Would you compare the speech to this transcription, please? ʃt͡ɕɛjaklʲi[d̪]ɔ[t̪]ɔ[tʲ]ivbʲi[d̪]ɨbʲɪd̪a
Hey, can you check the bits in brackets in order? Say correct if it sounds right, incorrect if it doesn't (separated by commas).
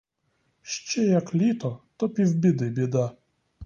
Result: incorrect, correct, incorrect, correct